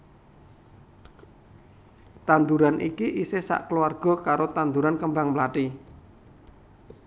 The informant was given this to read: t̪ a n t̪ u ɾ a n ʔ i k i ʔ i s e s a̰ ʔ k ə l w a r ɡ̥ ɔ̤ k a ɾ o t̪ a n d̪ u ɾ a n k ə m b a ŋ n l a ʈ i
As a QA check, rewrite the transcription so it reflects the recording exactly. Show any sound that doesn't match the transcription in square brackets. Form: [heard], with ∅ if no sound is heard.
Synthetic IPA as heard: t̪ a n [d̪] u ɾ a n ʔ i k i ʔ i s e s a̰ ʔ k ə l [u] a r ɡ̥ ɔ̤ k a ɾ o t̪ a n d̪ u ɾ a n k ə m b a ŋ [m] l a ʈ i